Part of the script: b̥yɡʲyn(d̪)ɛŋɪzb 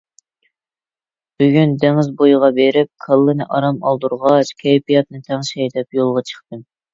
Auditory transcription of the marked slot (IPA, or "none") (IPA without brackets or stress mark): d̪